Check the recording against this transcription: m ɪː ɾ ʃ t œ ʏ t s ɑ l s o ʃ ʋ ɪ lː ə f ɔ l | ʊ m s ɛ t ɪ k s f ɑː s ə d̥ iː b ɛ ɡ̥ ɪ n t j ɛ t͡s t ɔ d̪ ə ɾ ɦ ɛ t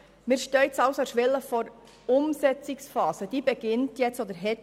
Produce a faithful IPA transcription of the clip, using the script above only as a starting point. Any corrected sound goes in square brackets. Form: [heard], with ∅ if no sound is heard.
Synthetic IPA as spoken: m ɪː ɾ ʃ t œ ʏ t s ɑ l s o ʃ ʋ ɪ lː ə f ɔ [ɾ] | ʊ m s ɛ [t͡s] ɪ k s f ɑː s ə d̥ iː b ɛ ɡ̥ ɪ n t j ɛ t͡s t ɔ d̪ ə ɾ ɦ ɛ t